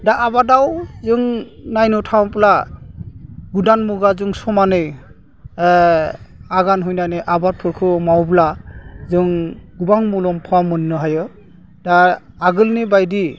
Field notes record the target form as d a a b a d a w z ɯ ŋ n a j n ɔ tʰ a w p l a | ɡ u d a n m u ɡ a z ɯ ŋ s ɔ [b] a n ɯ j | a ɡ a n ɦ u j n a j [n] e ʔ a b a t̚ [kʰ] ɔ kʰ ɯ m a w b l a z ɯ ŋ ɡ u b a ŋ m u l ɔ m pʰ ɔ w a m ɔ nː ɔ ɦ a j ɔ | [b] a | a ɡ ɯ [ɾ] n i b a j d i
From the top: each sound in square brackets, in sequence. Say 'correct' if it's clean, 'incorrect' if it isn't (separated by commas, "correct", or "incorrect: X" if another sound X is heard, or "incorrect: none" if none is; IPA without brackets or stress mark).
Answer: incorrect: m, correct, incorrect: pʰ, incorrect: d, incorrect: l